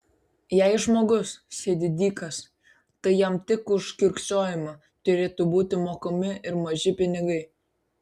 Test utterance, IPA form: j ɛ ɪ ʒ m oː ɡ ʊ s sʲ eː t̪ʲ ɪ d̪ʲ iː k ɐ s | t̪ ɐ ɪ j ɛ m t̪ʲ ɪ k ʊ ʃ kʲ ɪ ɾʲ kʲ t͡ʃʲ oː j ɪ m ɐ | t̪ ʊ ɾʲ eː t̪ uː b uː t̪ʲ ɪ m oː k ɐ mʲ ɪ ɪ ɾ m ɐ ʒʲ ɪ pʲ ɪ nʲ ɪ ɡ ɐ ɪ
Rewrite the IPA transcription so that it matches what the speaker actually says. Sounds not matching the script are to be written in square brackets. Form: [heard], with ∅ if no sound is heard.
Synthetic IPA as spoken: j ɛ ɪ ʒ m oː ɡ ʊ s sʲ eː [d̪ʲ] ɪ d̪ʲ iː k ɐ s | t̪ ɐ ɪ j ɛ m t̪ʲ ɪ k ʊ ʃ kʲ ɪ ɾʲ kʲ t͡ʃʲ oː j ɪ m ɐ | t̪ ʊ ɾʲ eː t̪ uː b uː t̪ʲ ɪ m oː k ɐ mʲ ɪ ɪ ɾ m ɐ ʒʲ ɪ pʲ ɪ nʲ ɪ ɡ ɐ ɪ